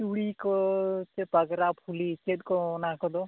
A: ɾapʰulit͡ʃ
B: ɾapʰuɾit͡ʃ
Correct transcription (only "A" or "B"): A